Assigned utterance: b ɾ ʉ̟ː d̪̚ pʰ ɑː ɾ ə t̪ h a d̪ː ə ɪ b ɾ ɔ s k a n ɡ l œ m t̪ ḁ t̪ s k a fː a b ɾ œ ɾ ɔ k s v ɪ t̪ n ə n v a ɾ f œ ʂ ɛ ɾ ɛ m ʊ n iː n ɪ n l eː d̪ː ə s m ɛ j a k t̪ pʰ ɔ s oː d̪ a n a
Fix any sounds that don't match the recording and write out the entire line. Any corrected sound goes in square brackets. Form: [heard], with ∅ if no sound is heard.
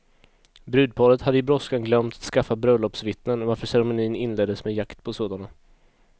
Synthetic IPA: b ɾ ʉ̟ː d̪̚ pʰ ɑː ɾ ə t̪ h a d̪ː ə ɪ b ɾ ɔ s k a n ɡ l œ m t̪ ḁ t̪ s k a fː a b ɾ œ [l] ɔ [p] s v ɪ t̪ n ə n v a ɾ f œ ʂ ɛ ɾ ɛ m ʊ n iː n ɪ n l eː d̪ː ə s m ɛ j a k t̪ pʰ ɔ s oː d̪ a n a